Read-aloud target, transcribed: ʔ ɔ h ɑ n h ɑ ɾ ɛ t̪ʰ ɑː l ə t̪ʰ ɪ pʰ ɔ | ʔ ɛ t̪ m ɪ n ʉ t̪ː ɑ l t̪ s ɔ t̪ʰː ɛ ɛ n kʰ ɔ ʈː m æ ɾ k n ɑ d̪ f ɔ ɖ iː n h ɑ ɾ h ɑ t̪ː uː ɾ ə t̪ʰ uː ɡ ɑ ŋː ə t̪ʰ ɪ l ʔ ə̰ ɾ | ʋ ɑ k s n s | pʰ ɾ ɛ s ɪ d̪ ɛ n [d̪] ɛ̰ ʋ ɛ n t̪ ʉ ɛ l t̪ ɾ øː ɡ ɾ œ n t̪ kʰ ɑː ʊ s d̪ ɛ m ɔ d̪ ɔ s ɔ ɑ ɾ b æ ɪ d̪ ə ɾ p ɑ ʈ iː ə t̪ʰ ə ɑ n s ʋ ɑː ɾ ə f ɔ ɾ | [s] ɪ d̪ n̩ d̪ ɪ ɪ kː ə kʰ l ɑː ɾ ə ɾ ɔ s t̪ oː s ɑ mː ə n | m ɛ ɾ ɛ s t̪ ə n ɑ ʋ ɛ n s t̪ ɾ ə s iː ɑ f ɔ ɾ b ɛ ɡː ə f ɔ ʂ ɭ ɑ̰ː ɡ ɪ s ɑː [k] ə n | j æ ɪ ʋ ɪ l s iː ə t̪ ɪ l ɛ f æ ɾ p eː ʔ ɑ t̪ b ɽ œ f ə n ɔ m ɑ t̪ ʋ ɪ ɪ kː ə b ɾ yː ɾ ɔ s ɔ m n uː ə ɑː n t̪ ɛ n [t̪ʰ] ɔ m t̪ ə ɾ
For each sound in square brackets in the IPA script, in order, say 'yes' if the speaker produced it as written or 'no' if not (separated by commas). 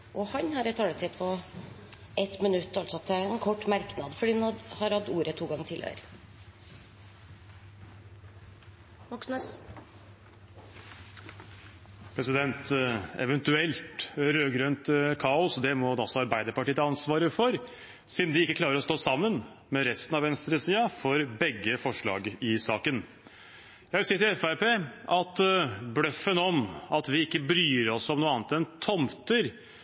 no, yes, yes, yes